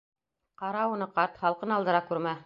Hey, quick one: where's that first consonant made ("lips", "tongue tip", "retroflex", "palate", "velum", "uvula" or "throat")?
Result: uvula